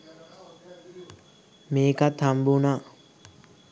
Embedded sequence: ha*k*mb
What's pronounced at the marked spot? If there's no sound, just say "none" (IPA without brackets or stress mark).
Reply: none